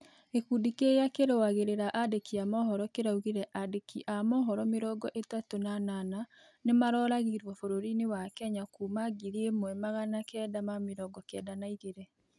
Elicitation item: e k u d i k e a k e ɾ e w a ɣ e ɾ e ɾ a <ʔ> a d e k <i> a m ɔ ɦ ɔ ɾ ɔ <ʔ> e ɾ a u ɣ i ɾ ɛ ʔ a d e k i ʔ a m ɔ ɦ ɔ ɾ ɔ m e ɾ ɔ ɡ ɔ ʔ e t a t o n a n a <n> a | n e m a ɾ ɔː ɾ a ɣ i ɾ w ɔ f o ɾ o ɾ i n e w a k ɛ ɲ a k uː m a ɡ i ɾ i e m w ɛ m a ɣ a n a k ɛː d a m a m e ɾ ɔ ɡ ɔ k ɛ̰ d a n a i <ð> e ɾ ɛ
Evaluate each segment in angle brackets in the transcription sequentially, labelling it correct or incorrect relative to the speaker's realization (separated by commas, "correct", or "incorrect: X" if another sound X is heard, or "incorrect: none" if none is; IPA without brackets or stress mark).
correct, correct, incorrect: k, correct, incorrect: ɣ